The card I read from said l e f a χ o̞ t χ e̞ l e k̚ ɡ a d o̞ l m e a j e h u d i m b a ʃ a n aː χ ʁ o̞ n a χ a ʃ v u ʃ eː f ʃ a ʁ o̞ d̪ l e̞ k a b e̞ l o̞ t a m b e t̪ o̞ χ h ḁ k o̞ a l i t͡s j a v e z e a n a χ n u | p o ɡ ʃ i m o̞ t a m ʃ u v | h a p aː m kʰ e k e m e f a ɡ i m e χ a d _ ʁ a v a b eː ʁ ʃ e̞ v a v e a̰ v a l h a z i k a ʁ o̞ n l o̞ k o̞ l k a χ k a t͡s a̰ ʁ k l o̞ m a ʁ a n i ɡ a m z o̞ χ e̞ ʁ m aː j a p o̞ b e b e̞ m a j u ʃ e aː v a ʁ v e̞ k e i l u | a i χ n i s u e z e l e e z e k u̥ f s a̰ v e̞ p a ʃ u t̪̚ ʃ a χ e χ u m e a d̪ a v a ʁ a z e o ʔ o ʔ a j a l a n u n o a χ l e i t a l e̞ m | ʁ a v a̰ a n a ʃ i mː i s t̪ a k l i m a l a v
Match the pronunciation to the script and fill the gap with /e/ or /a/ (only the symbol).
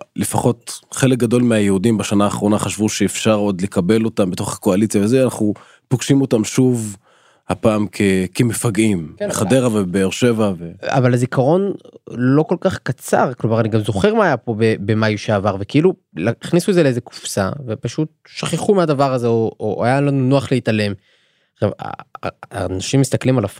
e